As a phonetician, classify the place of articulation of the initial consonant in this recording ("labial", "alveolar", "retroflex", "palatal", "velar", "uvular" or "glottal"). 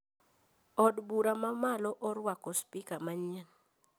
alveolar